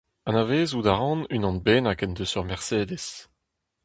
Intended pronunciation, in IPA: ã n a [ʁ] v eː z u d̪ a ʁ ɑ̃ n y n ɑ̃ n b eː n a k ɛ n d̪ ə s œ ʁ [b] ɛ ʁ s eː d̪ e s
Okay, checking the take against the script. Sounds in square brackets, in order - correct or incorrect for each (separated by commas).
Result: incorrect, incorrect